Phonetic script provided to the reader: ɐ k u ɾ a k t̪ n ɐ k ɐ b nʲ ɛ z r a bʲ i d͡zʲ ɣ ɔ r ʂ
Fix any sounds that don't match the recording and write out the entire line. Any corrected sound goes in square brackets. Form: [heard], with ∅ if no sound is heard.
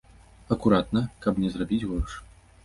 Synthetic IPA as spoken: ɐ k u ɾ a [∅] t̪ n ɐ k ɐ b nʲ ɛ z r a bʲ i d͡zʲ ɣ ɔ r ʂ